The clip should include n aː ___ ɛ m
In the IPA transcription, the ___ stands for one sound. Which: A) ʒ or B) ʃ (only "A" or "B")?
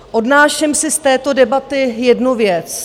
B